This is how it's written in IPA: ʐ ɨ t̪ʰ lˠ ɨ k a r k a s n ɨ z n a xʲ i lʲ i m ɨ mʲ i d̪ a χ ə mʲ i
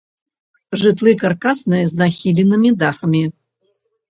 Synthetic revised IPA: ʐ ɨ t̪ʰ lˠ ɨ k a r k a s n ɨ z n a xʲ i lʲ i n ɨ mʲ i d̪ a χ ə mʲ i

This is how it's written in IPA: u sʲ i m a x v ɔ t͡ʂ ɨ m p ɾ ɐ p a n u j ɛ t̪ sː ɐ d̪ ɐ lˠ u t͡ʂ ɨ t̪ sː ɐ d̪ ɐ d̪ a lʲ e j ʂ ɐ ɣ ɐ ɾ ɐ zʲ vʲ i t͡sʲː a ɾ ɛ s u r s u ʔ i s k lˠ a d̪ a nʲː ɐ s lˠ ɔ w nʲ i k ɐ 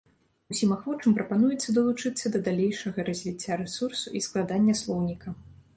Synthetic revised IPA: u sʲ i m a x v ɔ t͡ʂ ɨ m p ɾ ɐ p a n u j ɛ t̪ sː ɐ d̪ ɐ lˠ u t͡ʂ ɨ t̪ sː ɐ d̪ ɐ d̪ a lʲ e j ʂ ɐ ɣ ɐ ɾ ɐ zʲ vʲ i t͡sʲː a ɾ ɛ s u r s u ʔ i s k lˠ a d̪ a nʲː ɐ s lˠ ɔ w nʲ i k ɐ

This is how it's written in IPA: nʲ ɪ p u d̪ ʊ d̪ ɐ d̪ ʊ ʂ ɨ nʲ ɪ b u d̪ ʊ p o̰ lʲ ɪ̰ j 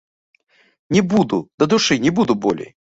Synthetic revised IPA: nʲ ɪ b u d̪ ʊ d̪ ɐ d̪ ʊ ʂ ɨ nʲ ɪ b u d̪ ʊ b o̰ lʲ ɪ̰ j

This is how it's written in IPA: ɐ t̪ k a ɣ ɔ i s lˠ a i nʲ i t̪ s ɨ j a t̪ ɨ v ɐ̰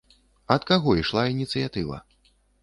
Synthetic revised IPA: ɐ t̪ k a ɣ ɔ i ʂ lˠ a i nʲ i t̪ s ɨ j a t̪ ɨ v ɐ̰

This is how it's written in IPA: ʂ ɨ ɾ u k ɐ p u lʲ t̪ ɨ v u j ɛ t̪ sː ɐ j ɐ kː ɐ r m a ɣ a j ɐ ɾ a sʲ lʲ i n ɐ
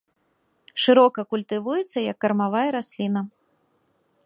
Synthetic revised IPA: ʂ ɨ ɾ ɔ k ɐ k u lʲ t̪ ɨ v u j ɛ t̪ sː ɐ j ɐ kː ɐ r m a v a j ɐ ɾ a sʲ lʲ i n ɐ

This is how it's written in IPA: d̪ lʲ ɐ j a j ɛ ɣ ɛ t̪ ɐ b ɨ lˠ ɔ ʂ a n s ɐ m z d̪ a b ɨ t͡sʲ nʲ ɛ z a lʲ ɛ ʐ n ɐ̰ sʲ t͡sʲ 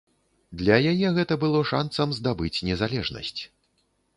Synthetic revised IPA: d̪ lʲ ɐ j a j ɛ ɣ ɛ t̪ ɐ b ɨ lˠ ɔ ʂ a n s ɐ m z d̪ a b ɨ t͡sʲ nʲ ɛ z a lʲ ɛ ʐ n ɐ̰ sʲ t͡sʲ

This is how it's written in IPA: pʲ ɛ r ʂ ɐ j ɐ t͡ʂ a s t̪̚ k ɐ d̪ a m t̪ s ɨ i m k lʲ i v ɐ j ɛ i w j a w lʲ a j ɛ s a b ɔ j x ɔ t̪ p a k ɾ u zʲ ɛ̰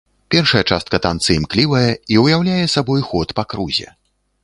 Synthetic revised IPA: pʲ ɛ r ʂ ɐ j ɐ t͡ʂ a s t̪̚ k ɐ t̪ a n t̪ s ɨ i m k lʲ i v ɐ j ɛ i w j a w lʲ a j ɛ s a b ɔ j x ɔ t̪ p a k ɾ u zʲ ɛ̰

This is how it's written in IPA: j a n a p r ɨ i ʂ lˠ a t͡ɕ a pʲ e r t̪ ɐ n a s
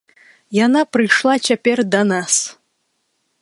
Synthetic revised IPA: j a n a p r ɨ j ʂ lˠ a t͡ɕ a pʲ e r d̪ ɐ n a s

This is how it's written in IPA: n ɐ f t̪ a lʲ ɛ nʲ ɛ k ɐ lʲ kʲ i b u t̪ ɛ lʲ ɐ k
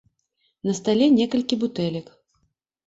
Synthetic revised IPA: n ɐ s t̪ a lʲ ɛ nʲ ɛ k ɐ lʲ kʲ i b u t̪ ɛ lʲ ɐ k

